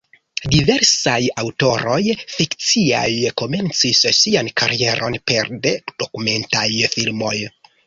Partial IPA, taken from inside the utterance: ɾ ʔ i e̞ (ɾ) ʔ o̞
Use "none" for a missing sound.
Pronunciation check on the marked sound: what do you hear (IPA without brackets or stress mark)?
ɾ